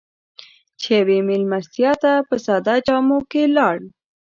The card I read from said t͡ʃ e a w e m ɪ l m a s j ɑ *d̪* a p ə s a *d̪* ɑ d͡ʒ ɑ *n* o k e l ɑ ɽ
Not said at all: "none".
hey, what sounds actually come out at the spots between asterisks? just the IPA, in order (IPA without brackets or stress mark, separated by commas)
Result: t̪, d̪, m